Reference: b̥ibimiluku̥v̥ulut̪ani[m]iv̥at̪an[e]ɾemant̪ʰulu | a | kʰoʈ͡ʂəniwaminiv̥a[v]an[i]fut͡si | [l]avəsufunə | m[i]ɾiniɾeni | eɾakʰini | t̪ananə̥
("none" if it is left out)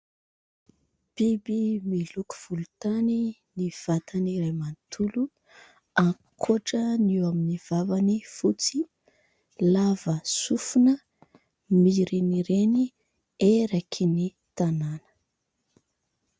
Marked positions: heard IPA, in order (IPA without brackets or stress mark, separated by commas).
n, i, v, i, l, i